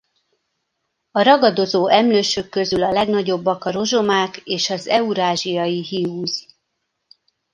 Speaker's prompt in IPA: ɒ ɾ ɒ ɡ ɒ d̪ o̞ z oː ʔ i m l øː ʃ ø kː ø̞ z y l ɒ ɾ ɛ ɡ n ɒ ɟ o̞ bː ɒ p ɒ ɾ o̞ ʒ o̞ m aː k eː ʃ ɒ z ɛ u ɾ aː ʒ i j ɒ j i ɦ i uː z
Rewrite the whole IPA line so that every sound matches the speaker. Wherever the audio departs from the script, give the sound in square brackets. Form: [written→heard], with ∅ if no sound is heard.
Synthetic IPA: ɒ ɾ ɒ ɡ ɒ d̪ o̞ z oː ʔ [i→ɛ] m l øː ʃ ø kː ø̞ z y l ɒ [ɾ→l] ɛ ɡ n ɒ ɟ o̞ bː ɒ [p→k] ɒ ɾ o̞ ʒ o̞ m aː k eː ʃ ɒ z ɛ u ɾ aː ʒ i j ɒ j i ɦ i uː z